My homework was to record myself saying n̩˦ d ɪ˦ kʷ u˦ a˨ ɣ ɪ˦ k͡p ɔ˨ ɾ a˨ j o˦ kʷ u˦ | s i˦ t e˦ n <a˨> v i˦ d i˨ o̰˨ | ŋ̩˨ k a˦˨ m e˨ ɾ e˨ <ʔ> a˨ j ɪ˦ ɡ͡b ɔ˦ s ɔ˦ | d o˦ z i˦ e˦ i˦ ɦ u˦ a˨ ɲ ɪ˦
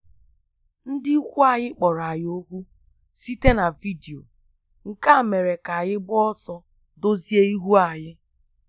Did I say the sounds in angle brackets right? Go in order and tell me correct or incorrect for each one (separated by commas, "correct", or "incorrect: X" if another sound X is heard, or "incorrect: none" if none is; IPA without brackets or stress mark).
correct, incorrect: k